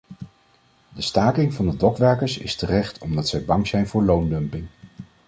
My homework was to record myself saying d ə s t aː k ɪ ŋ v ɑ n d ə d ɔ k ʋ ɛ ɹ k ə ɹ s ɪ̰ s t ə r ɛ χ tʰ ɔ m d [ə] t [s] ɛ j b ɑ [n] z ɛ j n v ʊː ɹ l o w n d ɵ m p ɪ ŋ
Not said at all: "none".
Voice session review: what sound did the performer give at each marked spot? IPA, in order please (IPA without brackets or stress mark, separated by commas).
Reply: ɑ, s, ŋ